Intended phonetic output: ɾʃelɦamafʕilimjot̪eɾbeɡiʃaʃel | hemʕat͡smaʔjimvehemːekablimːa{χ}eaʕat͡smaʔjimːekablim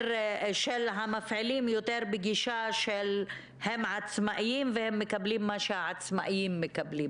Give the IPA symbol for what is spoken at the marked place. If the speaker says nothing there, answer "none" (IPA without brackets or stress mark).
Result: ʃ